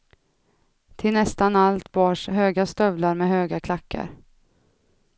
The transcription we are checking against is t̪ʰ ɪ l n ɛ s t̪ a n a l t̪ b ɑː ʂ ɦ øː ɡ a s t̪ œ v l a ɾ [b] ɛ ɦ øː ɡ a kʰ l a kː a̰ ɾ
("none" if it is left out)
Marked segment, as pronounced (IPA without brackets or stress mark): m